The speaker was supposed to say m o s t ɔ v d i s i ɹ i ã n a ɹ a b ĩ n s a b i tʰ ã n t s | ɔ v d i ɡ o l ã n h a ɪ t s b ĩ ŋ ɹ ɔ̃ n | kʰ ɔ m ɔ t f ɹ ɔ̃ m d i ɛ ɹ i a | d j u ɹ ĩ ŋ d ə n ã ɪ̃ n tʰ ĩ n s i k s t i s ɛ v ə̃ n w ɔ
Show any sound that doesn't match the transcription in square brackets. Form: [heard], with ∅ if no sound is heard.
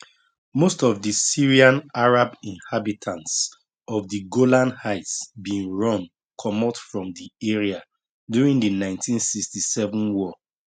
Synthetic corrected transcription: m o s t ɔ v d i s i ɹ i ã n a ɹ a b ĩ n [h] a b i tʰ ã n t s | ɔ v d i ɡ o l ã n h a ɪ t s b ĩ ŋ ɹ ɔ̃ n | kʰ ɔ m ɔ t f ɹ ɔ̃ m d i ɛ ɹ i a | d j u ɹ ĩ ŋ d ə n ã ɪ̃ n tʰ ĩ n s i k s t i s ɛ v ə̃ n w ɔ